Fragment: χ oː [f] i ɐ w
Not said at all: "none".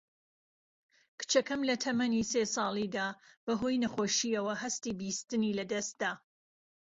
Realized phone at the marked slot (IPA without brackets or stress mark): ʃ